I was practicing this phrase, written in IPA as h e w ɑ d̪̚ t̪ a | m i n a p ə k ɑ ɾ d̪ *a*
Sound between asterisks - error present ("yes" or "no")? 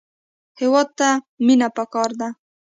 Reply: no